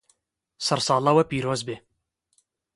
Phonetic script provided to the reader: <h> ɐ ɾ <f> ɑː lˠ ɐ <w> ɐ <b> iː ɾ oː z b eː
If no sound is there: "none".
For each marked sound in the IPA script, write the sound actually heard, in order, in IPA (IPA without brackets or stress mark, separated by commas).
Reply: s, s, w, p